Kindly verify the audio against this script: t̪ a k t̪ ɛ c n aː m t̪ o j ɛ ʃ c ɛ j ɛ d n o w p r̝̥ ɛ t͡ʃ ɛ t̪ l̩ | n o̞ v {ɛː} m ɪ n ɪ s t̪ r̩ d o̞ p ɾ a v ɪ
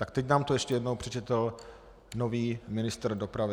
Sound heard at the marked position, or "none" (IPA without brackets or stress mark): iː